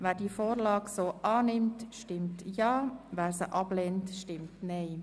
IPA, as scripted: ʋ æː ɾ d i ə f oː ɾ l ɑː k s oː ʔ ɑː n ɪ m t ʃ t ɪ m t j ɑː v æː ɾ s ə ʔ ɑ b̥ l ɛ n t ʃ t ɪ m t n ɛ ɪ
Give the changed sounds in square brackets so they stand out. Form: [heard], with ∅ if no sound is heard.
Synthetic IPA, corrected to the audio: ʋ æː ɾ d i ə f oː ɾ l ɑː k s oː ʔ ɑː n ɪ m t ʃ t ɪ m t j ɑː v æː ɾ s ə ʔ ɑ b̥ l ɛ n t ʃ t ɪ m t n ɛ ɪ